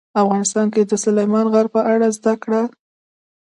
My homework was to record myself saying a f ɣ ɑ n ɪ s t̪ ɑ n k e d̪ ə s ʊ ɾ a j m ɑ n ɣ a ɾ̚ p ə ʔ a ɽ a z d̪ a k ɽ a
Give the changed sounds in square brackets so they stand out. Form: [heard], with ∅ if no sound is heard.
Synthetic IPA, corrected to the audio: a f ɣ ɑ n ɪ s t̪ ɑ n k e d̪ ə s ʊ [l] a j m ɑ n ɣ a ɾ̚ p ə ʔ a ɽ a z d̪ a k ɽ a